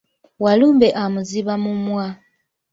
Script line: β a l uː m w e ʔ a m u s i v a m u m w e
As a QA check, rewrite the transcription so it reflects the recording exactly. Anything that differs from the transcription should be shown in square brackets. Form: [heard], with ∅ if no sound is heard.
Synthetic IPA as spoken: [w] a l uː m [b] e ʔ a m u [z] i [β] a m u m w [a]